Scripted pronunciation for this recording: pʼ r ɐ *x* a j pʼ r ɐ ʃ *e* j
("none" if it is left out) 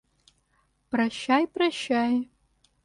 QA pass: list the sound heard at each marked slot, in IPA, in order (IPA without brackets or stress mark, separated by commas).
ʃ, a